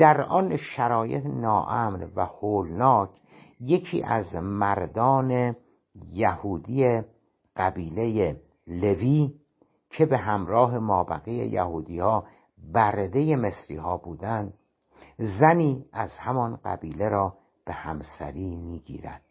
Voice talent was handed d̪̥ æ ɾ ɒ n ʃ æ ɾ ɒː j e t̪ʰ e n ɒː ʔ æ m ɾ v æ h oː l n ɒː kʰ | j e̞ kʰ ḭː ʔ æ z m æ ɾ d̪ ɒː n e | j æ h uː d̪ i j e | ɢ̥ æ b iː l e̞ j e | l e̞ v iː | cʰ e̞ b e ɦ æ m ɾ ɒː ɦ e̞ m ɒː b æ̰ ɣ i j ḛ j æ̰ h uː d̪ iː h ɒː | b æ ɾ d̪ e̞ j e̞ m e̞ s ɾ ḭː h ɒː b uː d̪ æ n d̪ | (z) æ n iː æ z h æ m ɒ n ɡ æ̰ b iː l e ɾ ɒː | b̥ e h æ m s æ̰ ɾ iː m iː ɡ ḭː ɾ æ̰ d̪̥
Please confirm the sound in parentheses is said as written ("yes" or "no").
yes